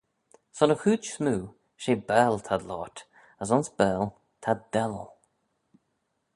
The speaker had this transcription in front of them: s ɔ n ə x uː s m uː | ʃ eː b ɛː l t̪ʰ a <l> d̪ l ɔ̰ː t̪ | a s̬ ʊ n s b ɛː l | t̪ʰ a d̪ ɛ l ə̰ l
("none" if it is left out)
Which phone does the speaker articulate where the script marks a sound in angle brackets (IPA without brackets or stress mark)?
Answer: none